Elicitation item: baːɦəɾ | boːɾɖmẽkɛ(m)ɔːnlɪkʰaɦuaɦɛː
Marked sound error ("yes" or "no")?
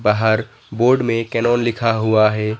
yes